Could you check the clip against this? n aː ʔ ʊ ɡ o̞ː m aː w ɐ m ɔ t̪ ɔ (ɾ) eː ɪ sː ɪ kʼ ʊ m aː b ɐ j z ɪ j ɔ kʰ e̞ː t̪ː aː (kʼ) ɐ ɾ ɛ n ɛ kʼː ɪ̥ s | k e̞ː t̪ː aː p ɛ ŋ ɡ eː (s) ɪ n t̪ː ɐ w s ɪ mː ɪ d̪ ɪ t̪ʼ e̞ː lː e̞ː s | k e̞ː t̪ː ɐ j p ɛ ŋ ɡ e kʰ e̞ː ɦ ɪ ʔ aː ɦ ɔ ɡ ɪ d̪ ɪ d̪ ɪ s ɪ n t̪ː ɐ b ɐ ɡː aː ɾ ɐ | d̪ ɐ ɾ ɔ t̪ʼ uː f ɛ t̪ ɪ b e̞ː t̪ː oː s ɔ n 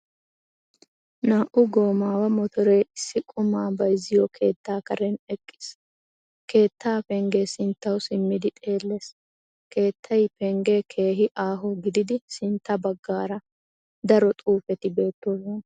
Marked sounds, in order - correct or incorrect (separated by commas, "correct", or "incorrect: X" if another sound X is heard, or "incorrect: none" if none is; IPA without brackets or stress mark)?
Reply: correct, incorrect: k, correct